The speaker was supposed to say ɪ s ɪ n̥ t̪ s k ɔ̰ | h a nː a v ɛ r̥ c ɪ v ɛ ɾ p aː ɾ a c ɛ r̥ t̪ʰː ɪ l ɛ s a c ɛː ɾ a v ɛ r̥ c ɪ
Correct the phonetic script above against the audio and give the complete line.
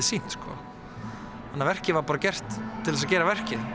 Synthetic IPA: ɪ s i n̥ t̪ s k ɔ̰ | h a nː a v ɛ r̥ c ɪ v a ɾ p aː ɾ a c ɛ r̥ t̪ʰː ɪ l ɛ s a c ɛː ɾ a v ɛ r̥ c ɪ